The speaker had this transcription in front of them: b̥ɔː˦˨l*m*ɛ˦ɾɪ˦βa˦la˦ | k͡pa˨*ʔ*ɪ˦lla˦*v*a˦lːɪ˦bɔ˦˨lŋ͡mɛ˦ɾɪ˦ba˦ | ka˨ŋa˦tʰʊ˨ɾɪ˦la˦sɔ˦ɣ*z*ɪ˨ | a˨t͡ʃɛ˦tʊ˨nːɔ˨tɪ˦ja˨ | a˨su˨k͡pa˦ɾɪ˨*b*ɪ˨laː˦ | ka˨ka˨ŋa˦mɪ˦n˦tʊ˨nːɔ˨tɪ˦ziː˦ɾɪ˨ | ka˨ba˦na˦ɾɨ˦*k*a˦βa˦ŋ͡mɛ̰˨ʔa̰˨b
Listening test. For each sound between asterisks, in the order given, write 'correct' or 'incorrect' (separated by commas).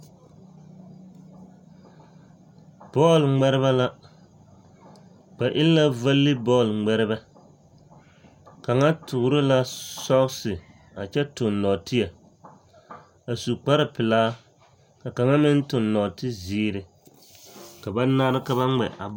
incorrect, correct, correct, incorrect, incorrect, correct